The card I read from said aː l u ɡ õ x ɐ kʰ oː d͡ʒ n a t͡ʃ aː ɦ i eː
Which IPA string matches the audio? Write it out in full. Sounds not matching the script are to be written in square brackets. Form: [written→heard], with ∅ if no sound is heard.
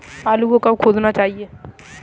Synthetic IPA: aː l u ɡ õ [x→k] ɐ kʰ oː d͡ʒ n a t͡ʃ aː ɦ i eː